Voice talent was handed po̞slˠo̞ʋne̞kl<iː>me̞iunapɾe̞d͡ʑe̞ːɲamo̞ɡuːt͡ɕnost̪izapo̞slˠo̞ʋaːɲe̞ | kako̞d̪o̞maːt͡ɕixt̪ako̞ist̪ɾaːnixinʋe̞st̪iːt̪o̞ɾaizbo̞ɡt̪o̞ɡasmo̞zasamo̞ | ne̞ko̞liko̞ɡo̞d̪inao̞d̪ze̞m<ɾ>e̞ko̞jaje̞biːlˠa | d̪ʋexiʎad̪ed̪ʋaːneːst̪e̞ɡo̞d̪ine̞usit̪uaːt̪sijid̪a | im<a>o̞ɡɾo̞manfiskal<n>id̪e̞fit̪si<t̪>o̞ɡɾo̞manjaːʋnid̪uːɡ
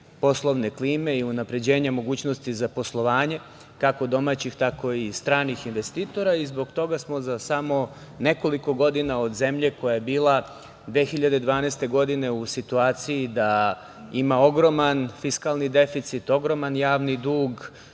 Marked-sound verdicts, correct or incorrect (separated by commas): correct, incorrect, correct, correct, correct